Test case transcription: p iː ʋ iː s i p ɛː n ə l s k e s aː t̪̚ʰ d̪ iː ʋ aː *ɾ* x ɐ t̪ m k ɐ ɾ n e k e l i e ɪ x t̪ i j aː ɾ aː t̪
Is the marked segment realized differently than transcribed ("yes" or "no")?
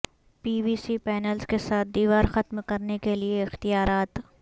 no